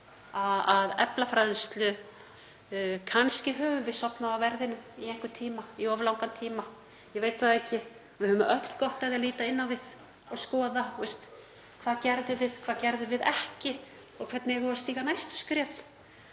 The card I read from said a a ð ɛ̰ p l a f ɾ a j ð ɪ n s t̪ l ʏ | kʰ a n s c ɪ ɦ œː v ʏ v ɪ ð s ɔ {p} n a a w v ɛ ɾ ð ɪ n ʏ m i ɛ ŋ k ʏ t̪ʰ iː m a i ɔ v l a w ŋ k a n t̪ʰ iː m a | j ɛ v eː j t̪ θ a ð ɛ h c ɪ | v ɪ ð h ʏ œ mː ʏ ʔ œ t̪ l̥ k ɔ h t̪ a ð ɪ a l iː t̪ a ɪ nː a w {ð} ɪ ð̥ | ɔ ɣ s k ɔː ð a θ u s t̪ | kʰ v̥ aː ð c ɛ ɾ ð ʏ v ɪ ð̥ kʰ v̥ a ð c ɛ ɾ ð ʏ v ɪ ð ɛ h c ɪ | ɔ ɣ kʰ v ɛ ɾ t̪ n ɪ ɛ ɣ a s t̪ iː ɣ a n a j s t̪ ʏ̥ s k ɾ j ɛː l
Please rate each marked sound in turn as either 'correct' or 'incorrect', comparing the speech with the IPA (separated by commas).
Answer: correct, incorrect